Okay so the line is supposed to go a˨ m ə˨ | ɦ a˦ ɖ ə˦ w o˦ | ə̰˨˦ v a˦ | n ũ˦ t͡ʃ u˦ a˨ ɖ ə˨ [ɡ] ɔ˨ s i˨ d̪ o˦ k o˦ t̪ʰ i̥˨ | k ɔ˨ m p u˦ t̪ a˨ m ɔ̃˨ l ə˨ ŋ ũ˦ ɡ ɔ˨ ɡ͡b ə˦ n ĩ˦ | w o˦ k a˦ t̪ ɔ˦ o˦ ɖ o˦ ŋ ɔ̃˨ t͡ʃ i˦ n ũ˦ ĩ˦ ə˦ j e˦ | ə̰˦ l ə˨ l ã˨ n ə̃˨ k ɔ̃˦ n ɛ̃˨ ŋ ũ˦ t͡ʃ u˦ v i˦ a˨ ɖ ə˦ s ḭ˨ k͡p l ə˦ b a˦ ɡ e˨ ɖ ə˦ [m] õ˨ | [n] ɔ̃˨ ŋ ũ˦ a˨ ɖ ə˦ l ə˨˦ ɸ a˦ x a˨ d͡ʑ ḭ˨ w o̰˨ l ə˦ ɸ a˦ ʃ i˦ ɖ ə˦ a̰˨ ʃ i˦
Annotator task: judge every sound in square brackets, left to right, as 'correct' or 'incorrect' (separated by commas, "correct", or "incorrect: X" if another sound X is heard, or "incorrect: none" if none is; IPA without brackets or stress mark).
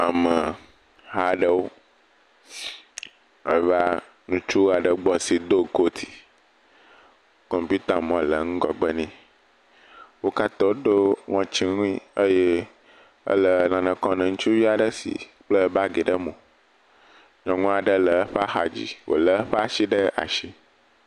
incorrect: ɡ͡b, correct, incorrect: ɲ